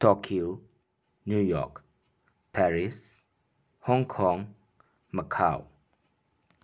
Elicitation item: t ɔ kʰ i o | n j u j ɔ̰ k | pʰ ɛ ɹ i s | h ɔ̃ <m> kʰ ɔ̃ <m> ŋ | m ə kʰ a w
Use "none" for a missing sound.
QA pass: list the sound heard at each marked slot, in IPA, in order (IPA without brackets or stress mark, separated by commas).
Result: ŋ, none